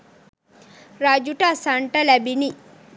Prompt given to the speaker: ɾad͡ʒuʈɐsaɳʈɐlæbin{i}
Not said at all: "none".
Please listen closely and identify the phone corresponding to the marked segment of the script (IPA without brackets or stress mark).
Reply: i